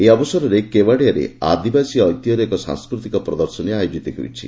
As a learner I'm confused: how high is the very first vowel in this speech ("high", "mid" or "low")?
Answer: mid